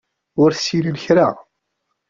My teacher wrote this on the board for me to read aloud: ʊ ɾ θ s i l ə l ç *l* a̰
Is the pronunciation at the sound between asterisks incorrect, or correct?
incorrect